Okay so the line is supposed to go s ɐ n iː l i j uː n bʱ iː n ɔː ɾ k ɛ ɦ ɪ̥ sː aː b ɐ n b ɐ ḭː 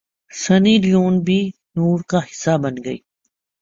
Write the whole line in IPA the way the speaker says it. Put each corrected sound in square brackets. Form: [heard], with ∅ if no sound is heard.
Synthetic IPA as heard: s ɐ n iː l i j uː n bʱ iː n [uː] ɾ k [a] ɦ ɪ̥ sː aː b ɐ n [ɡ] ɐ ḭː